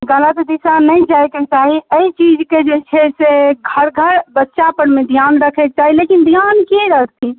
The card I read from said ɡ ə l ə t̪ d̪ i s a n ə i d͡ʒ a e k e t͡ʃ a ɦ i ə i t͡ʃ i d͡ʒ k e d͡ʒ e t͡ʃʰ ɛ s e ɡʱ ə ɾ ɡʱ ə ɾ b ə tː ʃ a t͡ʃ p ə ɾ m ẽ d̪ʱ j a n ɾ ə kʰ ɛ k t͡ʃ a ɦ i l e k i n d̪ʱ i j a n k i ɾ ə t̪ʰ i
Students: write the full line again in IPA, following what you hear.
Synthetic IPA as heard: ɡ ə l ə t̪ d̪ i s a n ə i d͡ʒ a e k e t͡ʃ a ɦ i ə i t͡ʃ i d͡ʒ k e d͡ʒ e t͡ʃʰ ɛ s e ɡʱ ə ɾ ɡʱ ə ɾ b ə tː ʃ a p ə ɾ m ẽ d̪ʱ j a n ɾ ə kʰ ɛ k t͡ʃ a ɦ i l e k i n d̪ʱ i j a n k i ɾ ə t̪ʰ i

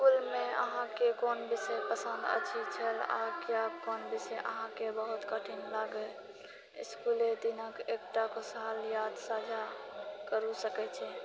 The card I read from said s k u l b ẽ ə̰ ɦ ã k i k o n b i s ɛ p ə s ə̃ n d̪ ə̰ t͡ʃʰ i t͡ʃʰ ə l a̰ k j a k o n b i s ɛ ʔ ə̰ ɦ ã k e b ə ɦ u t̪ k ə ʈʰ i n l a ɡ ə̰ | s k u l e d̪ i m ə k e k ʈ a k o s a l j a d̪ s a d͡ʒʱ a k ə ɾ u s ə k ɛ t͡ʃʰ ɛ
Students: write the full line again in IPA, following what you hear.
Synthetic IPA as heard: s k u l m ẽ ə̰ ɦ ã k e k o n b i s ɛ p ə s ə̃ n d̪ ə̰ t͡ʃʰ i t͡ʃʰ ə l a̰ k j a k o n b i s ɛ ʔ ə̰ ɦ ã k e b ə ɦ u t̪ k ə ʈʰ i n l a ɡ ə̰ | s k u l e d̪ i n ə k e k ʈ a k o s a l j a d̪ s a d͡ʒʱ a k ə ɾ u s ə k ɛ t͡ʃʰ ɛ

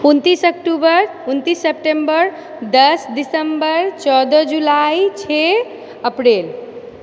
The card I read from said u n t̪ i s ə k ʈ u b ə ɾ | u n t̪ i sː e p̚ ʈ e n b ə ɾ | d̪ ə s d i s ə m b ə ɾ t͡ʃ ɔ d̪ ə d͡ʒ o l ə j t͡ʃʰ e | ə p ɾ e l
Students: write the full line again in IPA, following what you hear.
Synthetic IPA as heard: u n t̪ i s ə k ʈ u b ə ɾ | u n t̪ i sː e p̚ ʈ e m b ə ɾ | d̪ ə s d i s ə m b ə ɾ t͡ʃ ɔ d̪ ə d͡ʒ u l a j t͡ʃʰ e | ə p ɾ e l

